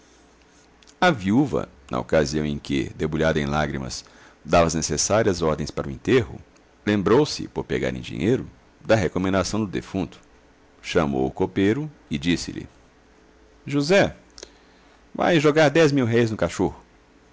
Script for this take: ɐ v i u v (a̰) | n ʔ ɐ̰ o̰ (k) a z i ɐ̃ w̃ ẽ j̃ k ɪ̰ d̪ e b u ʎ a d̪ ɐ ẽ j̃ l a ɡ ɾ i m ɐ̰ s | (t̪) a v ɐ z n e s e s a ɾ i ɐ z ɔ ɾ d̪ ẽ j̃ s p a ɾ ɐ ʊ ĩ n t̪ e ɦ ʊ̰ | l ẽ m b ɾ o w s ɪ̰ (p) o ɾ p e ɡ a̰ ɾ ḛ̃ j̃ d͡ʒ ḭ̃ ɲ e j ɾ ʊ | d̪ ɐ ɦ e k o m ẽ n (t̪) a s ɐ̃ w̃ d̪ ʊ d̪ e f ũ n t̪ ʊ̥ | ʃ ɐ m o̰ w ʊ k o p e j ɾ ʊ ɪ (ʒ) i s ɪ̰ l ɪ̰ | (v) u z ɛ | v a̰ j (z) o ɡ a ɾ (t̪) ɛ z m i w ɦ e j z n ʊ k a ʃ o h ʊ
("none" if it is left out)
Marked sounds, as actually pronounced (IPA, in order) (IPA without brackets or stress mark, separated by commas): ɐ̰, k, d̪, p, d̪, d͡ʒ, ʒ, ʒ, d̪